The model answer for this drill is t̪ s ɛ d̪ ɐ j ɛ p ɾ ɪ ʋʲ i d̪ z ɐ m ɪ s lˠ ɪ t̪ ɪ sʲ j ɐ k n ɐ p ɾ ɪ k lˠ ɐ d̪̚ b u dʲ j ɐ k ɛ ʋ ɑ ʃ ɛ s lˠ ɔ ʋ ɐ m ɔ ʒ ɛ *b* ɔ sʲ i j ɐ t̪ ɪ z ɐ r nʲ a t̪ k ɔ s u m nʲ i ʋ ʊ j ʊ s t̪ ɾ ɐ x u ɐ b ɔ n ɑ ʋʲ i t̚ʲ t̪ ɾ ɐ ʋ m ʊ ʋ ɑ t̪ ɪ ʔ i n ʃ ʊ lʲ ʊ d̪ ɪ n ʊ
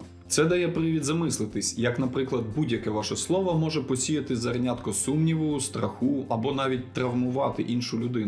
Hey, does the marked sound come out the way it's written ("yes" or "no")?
no